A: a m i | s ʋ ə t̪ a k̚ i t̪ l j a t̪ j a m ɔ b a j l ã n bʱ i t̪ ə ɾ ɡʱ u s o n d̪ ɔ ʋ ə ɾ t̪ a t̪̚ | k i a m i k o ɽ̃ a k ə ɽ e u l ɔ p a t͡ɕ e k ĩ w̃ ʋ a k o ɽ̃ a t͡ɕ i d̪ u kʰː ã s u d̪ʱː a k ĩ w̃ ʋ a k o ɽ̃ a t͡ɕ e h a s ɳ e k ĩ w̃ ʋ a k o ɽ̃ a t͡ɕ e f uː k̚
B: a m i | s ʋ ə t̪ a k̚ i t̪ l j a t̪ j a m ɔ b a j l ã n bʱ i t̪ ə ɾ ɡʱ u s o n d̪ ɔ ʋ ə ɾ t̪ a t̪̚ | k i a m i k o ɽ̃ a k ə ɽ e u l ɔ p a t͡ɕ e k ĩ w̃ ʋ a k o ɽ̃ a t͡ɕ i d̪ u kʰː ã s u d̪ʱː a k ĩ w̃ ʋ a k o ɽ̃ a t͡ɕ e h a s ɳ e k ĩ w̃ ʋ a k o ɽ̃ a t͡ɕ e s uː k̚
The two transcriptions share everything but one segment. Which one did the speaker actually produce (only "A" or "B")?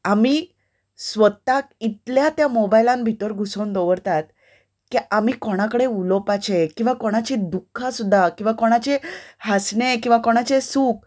B